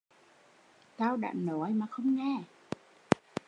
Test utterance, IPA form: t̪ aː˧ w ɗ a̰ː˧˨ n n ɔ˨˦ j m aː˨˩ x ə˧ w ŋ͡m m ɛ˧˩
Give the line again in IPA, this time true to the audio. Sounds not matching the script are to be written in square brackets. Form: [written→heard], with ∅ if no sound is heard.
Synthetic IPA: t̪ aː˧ w ɗ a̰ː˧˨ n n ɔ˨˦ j m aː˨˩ x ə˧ w ŋ͡m [m→ŋ] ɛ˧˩